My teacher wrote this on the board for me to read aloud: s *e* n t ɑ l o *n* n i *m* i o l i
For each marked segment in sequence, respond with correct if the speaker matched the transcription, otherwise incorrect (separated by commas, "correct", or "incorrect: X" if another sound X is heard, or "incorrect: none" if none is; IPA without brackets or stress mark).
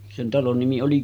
correct, correct, correct